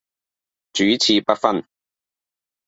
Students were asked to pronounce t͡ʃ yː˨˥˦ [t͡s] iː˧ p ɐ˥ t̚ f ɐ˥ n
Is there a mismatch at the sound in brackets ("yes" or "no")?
yes